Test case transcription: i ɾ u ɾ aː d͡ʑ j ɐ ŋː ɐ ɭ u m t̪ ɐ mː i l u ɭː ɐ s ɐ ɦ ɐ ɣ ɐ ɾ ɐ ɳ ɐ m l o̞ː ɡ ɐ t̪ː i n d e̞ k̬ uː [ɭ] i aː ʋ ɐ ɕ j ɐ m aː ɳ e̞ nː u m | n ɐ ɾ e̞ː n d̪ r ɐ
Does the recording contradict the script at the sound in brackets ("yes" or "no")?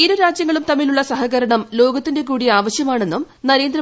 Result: yes